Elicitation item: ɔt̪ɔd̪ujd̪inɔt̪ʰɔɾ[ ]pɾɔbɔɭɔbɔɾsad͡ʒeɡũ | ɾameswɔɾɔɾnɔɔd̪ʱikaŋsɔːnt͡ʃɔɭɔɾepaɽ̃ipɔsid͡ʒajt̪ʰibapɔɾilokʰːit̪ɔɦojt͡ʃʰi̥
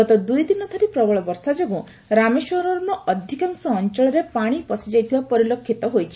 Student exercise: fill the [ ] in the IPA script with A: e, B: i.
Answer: B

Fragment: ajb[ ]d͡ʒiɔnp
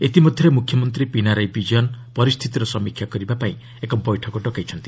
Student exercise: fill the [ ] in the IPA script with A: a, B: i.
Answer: B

